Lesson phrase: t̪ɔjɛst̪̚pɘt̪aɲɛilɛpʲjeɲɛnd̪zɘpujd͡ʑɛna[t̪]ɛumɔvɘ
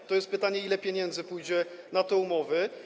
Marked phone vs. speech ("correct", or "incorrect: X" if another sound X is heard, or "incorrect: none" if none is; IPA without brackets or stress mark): correct